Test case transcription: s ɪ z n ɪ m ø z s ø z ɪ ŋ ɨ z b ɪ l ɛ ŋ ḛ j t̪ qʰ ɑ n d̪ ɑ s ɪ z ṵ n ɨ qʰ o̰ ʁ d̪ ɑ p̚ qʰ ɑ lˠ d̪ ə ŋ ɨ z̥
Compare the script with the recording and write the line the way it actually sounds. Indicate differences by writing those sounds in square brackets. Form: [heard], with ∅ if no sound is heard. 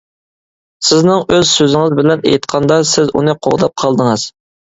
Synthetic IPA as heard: s ɪ z n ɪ [ŋ] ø z s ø z ɪ ŋ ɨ z b ɪ l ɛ [n] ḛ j t̪ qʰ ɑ n d̪ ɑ s ɪ z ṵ n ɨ qʰ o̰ ʁ d̪ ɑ p̚ qʰ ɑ lˠ d̪ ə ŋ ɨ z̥